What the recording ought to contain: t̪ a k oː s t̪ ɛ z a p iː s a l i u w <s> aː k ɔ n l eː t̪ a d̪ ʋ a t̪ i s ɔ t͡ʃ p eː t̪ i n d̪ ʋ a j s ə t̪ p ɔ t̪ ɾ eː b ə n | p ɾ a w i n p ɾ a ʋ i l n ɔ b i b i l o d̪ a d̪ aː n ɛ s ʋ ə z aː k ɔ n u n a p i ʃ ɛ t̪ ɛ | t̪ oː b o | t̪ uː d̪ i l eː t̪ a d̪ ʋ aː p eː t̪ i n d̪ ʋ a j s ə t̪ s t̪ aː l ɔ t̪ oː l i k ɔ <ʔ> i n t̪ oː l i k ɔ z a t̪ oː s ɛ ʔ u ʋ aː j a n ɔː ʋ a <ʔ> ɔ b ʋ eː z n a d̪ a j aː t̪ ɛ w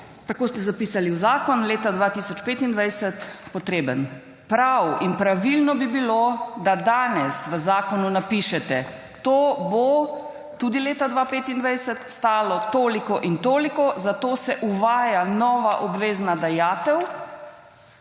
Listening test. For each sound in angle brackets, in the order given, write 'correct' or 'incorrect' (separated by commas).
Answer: incorrect, correct, correct